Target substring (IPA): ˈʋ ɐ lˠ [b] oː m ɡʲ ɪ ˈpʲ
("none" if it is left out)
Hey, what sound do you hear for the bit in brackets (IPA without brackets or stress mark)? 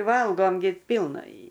ɡ